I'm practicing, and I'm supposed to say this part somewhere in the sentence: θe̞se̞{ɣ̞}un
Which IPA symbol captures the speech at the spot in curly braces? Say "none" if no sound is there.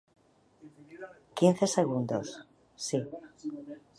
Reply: ɣ̞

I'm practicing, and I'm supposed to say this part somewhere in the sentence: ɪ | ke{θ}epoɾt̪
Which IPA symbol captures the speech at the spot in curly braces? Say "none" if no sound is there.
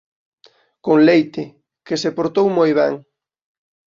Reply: s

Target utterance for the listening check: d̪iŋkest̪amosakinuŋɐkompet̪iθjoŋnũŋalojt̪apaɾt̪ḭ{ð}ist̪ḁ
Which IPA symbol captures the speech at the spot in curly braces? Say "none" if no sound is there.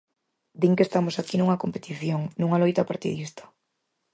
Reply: ð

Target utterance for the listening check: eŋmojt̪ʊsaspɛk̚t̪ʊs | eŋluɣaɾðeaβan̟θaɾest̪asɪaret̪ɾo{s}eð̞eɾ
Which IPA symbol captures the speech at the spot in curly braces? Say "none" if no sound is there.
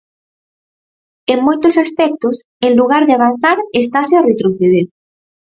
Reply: θ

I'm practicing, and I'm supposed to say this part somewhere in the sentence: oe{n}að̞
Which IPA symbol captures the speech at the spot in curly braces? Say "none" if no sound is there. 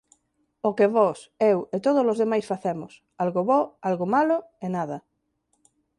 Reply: n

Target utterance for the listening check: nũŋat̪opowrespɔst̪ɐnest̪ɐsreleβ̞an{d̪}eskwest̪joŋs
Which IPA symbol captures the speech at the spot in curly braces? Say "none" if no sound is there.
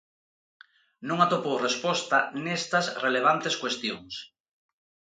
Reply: t̪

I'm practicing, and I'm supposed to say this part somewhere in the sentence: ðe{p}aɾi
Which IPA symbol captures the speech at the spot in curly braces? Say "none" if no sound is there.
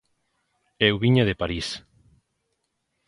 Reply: p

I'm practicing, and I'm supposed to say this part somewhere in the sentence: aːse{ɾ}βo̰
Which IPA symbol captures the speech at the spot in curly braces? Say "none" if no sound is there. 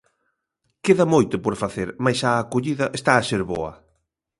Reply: ɾ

